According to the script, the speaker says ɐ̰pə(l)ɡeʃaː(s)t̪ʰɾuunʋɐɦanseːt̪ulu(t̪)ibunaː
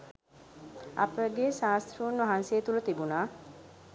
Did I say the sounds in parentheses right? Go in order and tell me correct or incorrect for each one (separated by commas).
incorrect, correct, correct